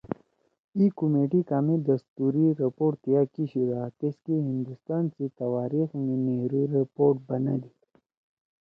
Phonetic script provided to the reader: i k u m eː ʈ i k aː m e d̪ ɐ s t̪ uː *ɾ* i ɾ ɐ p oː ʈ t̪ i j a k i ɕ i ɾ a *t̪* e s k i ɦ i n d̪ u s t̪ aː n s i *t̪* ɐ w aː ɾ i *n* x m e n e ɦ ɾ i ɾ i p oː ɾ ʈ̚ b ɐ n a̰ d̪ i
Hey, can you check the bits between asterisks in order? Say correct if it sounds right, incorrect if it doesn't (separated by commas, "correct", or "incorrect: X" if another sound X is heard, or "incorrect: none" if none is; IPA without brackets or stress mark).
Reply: correct, correct, correct, incorrect: none